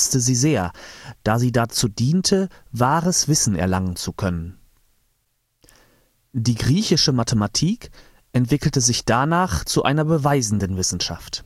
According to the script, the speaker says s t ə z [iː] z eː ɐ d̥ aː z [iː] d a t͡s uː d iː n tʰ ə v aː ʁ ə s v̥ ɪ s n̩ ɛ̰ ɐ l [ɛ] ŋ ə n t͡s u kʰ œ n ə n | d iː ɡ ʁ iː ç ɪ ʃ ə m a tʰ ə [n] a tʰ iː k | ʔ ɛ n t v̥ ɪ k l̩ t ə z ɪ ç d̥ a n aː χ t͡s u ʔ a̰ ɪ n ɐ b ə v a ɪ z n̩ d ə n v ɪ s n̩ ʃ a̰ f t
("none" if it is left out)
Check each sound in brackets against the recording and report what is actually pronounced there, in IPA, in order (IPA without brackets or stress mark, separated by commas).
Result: iː, iː, a, m